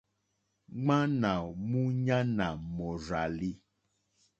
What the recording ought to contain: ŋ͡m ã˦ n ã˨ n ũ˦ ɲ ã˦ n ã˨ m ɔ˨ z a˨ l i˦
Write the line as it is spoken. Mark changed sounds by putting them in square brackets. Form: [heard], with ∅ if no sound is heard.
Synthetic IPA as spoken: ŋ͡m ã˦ n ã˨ [m] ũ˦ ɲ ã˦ n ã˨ m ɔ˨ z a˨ l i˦